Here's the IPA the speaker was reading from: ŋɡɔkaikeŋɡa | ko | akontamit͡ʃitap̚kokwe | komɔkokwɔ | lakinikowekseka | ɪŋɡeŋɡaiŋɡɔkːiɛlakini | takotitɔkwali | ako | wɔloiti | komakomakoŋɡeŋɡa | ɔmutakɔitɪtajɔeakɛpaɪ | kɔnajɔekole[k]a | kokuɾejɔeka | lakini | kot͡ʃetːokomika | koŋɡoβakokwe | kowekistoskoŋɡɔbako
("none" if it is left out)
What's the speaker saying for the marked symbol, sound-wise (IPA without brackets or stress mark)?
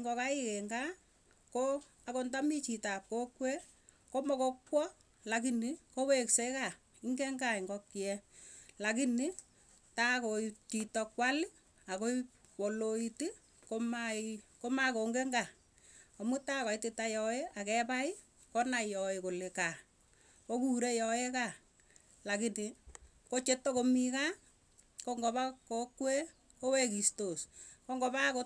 k